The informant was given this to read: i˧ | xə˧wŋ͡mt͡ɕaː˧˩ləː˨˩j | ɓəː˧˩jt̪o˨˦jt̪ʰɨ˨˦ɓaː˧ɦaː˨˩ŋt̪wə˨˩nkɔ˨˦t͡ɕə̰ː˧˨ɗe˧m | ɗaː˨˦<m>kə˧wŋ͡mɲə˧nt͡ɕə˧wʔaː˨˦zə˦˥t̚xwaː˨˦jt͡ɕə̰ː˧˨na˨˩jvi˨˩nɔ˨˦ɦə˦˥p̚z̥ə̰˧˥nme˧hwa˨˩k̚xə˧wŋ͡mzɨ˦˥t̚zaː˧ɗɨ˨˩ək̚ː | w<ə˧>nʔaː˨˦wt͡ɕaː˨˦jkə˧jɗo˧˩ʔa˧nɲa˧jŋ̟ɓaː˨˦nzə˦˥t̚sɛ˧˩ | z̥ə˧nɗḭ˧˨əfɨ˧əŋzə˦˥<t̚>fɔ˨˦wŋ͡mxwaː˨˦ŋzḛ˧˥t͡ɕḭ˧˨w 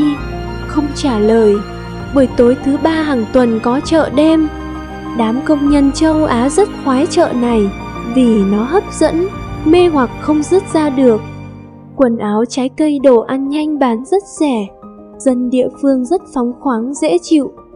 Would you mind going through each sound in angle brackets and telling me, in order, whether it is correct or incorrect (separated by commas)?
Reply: correct, incorrect, correct